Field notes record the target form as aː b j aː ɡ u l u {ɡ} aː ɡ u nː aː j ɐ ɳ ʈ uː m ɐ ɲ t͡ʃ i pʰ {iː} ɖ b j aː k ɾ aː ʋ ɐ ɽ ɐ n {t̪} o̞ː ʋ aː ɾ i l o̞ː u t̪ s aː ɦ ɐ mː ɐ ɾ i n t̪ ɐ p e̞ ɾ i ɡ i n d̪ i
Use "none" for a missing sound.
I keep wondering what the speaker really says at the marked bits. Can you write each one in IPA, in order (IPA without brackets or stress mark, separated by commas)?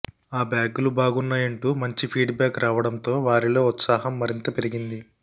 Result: b, iː, t̪